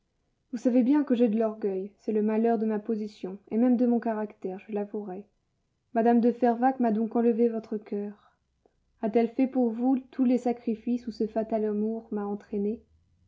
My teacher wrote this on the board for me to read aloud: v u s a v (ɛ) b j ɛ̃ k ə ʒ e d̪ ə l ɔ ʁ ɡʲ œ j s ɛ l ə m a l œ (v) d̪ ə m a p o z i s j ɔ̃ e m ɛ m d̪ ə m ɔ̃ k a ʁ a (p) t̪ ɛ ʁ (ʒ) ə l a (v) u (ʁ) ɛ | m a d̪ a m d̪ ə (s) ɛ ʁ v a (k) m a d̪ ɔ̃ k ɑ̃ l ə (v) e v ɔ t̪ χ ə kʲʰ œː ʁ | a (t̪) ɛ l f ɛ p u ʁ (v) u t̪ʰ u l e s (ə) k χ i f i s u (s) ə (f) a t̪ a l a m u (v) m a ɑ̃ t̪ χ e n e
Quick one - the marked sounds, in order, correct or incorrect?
incorrect, incorrect, incorrect, correct, correct, correct, incorrect, correct, correct, correct, correct, incorrect, correct, correct, incorrect

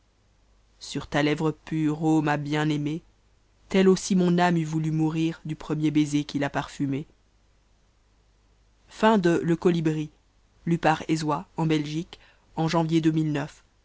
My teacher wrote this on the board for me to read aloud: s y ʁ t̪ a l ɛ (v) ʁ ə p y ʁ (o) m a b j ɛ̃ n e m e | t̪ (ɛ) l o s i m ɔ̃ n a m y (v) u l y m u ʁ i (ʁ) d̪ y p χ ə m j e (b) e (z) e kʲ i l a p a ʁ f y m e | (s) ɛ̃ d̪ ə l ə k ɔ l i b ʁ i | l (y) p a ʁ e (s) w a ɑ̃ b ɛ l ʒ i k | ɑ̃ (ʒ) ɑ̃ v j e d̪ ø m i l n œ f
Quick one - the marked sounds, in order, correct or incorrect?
correct, correct, correct, correct, correct, correct, correct, incorrect, correct, incorrect, correct

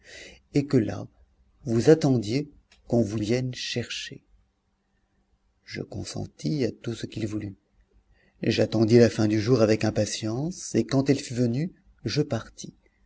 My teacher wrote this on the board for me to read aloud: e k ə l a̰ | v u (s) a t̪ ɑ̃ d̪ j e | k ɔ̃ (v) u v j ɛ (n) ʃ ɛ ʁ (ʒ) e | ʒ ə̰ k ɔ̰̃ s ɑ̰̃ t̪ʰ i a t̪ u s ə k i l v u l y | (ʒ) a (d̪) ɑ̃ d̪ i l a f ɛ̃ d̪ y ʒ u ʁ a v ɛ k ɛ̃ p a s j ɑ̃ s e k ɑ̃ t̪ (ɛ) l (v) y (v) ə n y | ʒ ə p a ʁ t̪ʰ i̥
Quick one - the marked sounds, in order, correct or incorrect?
incorrect, correct, correct, incorrect, correct, incorrect, correct, incorrect, correct

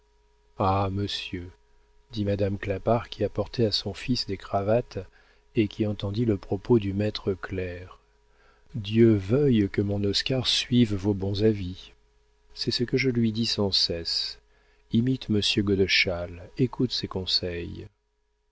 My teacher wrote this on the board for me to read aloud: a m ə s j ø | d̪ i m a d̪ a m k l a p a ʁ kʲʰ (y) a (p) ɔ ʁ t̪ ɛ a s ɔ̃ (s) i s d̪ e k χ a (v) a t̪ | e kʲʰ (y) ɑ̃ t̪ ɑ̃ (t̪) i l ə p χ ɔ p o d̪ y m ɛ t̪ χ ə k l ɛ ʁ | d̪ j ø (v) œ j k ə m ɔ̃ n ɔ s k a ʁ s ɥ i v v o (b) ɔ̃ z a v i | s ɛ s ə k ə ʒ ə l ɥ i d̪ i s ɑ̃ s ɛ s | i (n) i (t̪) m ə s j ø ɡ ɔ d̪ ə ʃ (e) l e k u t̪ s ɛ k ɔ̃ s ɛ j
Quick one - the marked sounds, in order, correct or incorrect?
incorrect, correct, incorrect, correct, incorrect, incorrect, correct, correct, incorrect, correct, incorrect

